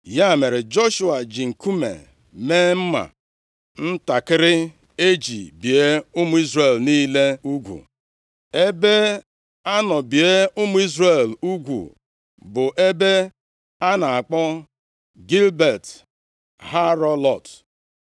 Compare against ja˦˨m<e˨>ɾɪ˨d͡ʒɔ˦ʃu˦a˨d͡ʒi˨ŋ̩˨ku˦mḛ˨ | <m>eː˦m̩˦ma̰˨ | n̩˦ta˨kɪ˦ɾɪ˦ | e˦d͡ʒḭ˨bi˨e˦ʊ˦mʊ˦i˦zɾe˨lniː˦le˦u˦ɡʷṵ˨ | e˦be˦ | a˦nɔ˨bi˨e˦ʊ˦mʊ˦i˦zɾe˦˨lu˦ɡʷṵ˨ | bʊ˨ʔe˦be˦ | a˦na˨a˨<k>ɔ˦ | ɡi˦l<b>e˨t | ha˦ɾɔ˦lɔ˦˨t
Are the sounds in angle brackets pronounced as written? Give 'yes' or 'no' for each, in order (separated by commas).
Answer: yes, yes, no, yes